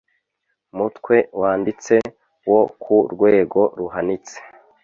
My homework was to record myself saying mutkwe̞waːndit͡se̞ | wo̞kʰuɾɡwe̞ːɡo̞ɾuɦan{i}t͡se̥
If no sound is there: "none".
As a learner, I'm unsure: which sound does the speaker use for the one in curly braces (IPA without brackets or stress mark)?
i